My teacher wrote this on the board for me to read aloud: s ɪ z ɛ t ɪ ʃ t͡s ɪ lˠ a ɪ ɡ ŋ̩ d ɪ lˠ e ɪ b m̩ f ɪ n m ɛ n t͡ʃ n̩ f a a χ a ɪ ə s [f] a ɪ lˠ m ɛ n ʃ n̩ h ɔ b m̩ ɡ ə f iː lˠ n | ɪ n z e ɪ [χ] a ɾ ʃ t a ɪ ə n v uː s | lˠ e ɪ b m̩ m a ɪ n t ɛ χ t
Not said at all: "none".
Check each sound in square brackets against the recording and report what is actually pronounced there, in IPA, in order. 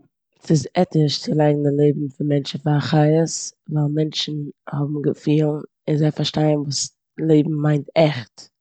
v, f

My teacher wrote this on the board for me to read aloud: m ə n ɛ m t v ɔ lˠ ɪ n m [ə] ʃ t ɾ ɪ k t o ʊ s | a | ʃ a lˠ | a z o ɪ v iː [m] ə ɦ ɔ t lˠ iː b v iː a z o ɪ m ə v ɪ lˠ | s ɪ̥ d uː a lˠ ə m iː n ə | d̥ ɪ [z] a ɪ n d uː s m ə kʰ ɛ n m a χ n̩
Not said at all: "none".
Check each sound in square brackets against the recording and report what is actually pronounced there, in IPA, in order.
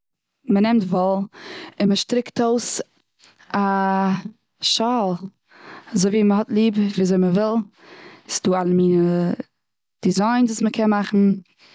ə, m, z

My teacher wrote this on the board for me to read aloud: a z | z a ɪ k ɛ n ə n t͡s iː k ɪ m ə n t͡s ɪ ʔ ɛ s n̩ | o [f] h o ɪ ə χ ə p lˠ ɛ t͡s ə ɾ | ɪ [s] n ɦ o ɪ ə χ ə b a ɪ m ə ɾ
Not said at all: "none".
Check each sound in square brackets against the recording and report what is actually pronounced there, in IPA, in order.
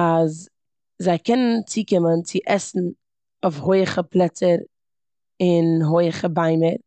f, none

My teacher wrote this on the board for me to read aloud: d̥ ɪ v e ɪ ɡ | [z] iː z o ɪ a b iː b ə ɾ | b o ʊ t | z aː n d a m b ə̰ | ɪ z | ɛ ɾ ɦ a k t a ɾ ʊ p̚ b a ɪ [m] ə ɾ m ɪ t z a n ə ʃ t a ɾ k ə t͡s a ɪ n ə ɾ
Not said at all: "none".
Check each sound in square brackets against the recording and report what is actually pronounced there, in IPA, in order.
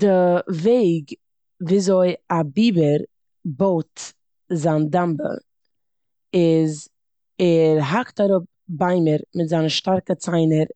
v, m

